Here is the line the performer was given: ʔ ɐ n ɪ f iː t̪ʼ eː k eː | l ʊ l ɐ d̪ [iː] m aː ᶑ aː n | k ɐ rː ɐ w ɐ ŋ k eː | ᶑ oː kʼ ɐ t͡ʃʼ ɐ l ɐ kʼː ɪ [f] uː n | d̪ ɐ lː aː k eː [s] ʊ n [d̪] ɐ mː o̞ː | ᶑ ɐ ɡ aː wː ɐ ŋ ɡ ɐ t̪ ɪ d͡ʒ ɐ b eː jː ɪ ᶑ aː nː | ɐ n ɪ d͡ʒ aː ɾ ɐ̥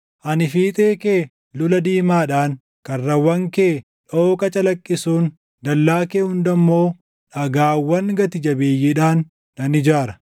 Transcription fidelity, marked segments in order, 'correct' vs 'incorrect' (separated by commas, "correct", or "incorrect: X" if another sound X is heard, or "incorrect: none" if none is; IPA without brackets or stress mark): correct, incorrect: s, incorrect: h, correct